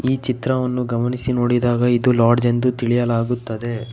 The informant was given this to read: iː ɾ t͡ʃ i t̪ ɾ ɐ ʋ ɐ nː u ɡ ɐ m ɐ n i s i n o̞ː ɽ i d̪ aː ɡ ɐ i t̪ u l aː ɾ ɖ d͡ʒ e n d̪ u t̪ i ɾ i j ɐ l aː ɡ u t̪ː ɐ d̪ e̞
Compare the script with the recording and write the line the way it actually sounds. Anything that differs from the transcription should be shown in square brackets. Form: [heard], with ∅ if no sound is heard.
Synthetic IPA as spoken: iː [∅] t͡ʃ i t̪ ɾ ɐ ʋ ɐ nː u ɡ ɐ m ɐ n i s i n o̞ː ɽ i d̪ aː ɡ ɐ i [d̪] u l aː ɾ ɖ d͡ʒ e n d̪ u t̪ i [ɭ] i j ɐ l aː ɡ u t̪ː ɐ d̪ e̞